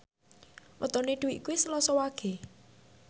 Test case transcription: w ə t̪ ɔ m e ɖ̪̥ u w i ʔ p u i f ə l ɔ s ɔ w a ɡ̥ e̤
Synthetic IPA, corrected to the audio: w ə t̪ ɔ n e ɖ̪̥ u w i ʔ k u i s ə l ɔ s ɔ w a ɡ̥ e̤